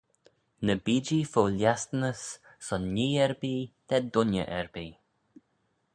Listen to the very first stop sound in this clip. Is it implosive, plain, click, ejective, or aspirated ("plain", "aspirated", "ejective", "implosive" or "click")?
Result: plain